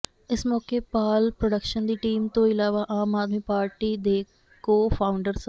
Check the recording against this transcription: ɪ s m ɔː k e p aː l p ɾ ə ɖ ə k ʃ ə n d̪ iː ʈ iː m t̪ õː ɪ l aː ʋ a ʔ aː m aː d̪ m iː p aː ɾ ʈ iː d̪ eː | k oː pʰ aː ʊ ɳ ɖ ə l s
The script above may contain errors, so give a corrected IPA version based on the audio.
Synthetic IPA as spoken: ɪ s m ɔː k e p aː l p ɾ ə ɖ ə k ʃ ə n d̪ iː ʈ iː m t̪ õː ɪ l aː ʋ a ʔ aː m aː d̪ m iː p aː ɾ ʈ iː d̪ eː | k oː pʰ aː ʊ ɳ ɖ ə ɾ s